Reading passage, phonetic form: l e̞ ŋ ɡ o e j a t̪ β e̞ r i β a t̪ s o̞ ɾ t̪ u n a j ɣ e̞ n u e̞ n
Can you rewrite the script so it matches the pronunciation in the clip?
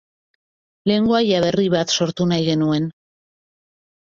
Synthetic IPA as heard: l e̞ ŋ ɡ o a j a β e̞ r i β a t̪ s o̞ ɾ t̪ u n a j ɣ e̞ n u e̞ n